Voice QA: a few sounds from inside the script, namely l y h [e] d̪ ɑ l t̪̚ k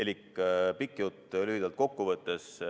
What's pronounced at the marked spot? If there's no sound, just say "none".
i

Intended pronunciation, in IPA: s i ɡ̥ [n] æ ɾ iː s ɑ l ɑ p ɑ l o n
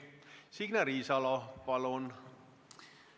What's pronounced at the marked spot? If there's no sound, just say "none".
n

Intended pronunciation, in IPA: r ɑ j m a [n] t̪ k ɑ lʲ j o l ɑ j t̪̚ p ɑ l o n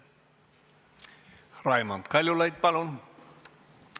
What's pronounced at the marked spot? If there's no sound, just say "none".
n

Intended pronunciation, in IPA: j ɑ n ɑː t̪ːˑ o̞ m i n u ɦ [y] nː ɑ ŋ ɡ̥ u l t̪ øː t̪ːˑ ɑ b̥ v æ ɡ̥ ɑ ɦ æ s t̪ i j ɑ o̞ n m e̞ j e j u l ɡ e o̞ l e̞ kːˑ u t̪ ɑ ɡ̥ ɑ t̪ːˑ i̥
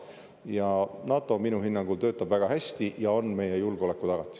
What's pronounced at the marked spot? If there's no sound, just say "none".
i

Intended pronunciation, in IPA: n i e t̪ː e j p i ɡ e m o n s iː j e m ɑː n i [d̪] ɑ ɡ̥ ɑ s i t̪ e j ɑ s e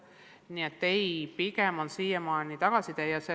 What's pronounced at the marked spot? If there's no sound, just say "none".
t̪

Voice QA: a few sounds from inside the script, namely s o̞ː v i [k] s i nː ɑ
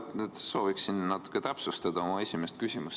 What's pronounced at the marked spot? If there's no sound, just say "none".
k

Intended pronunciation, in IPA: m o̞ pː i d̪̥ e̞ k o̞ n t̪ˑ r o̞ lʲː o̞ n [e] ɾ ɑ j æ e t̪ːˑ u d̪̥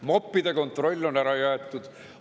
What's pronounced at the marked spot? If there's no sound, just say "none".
æ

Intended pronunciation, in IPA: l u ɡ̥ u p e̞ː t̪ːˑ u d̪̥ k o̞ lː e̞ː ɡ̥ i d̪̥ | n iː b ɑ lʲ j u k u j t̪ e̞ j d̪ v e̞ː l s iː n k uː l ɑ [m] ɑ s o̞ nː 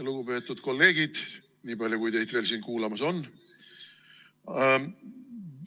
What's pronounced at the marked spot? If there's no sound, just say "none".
m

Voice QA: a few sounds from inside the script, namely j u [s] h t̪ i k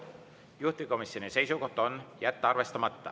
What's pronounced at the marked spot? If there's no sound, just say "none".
none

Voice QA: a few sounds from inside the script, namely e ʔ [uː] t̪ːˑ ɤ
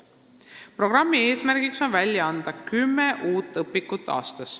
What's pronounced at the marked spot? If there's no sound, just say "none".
uː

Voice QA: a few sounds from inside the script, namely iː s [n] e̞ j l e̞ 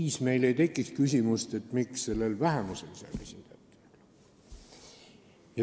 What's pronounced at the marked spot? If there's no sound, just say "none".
m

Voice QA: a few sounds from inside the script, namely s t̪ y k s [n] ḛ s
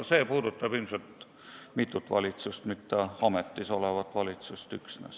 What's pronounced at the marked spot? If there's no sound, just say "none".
n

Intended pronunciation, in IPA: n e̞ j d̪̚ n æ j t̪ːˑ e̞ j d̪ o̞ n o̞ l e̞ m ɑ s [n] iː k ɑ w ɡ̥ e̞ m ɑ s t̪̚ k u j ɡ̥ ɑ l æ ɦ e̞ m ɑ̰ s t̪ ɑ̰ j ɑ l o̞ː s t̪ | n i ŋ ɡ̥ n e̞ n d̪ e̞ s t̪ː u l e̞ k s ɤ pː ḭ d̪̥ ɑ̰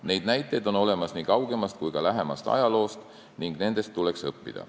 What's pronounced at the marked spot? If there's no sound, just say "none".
n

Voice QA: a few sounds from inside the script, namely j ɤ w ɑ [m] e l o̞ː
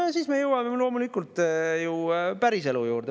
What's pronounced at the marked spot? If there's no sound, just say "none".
m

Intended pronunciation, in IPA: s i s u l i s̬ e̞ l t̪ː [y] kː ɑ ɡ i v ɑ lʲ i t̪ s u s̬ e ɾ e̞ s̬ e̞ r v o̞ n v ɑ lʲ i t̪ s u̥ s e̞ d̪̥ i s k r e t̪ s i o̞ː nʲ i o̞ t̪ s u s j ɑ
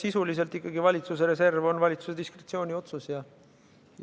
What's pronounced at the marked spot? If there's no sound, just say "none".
i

